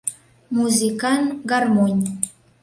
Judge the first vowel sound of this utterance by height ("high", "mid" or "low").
high